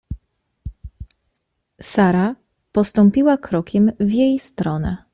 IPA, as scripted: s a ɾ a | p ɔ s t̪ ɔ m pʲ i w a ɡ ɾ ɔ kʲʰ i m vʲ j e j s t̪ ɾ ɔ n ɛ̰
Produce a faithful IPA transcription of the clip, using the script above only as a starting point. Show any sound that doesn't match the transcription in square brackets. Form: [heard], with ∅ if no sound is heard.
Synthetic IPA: s a ɾ a | p ɔ s t̪ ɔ m pʲ i w a [k] ɾ ɔ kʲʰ [ɛ] m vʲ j e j s t̪ ɾ ɔ n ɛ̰